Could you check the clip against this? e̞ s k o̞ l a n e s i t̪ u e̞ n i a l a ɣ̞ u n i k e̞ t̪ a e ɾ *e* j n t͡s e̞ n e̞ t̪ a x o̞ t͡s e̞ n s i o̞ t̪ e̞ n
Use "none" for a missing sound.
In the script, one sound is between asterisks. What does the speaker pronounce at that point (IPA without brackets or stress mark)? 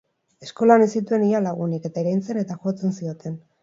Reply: a